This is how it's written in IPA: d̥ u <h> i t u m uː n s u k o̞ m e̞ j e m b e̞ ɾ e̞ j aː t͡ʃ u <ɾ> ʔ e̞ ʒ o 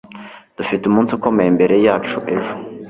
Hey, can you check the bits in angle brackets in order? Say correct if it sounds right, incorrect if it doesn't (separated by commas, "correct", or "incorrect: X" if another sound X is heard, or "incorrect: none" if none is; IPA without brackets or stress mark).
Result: incorrect: f, incorrect: none